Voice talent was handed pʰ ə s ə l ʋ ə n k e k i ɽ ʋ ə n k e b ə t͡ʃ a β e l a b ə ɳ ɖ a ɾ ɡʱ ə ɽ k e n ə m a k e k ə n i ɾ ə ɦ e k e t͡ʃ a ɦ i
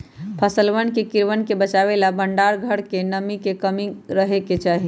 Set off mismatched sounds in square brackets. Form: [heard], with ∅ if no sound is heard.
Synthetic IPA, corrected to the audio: pʰ ə s ə l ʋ ə n k e k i [ɾ] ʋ ə n k e b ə t͡ʃ a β e l a b ə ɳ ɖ a ɾ ɡʱ ə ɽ k e n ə m [i] k e k ə [m] i ɾ ə ɦ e k e t͡ʃ a ɦ i